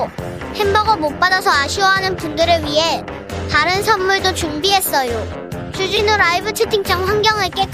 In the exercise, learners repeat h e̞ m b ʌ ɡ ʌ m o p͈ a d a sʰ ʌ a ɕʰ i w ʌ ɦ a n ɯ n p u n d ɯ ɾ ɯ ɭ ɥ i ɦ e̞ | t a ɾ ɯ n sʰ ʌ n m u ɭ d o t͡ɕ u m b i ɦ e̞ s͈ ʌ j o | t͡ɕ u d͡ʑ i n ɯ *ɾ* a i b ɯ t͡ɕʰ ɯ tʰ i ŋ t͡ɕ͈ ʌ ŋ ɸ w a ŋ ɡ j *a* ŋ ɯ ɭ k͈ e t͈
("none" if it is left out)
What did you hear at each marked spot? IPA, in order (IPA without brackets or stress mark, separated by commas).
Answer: ɾ, ʌ